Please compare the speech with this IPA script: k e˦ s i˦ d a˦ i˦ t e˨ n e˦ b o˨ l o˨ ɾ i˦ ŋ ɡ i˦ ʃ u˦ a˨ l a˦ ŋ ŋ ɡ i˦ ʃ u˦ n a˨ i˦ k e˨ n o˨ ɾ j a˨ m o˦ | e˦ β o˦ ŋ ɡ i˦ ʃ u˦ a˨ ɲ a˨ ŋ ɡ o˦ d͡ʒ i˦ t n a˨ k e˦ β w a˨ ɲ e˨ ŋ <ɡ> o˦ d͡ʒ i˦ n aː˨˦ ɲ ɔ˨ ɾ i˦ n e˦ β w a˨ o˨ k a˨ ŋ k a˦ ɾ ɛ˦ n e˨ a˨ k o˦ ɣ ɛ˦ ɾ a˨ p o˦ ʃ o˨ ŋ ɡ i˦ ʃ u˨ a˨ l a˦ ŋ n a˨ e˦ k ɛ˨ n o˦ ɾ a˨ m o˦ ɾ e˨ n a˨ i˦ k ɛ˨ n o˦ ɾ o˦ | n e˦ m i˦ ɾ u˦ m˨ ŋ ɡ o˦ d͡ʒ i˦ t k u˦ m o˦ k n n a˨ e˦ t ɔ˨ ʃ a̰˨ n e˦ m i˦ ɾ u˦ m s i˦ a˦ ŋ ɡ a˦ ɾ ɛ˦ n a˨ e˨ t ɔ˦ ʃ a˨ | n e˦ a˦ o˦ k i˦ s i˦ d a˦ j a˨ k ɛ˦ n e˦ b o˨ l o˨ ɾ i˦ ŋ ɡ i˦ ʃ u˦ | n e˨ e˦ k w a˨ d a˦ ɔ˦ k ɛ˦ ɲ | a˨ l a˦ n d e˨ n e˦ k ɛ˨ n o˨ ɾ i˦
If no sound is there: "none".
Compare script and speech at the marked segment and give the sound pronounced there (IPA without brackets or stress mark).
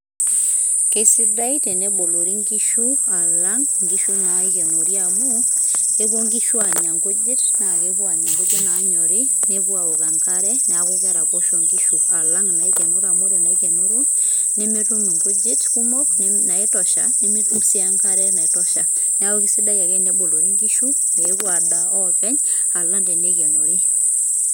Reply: ɡ